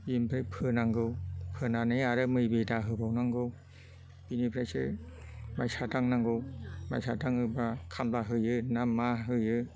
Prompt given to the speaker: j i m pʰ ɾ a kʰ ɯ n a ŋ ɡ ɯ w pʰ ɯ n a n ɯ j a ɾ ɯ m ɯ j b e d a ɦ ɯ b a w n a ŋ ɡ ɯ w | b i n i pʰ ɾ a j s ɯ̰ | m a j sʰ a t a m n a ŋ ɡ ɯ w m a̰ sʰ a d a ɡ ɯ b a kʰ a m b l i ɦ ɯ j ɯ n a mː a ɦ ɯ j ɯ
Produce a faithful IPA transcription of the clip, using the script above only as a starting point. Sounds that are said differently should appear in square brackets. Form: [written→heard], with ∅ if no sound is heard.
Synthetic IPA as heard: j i m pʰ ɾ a [kʰ→pʰ] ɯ n a ŋ ɡ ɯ w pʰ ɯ n a n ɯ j a ɾ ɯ m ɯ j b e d a ɦ ɯ b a w n a ŋ ɡ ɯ w | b i n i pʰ ɾ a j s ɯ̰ | m a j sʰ a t a [m→ŋ] n a ŋ ɡ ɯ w m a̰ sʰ a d a [ɡ→ŋ] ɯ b a kʰ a m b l [i→a] ɦ ɯ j ɯ n a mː a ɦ ɯ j ɯ